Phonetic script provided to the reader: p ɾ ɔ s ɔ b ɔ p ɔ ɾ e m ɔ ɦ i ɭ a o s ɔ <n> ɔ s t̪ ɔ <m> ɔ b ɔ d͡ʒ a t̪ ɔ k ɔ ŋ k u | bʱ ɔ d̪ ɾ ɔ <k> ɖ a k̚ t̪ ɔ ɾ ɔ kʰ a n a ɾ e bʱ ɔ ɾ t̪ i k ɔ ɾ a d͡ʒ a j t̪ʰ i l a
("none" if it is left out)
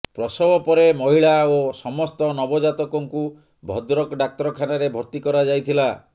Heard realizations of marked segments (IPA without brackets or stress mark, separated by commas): m, n, k